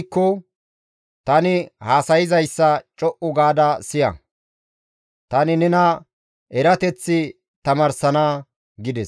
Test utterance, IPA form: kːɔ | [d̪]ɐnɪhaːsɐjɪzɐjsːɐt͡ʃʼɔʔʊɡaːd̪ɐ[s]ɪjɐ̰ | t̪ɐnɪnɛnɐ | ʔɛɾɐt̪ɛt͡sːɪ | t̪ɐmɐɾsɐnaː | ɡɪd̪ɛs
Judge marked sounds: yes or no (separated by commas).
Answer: no, yes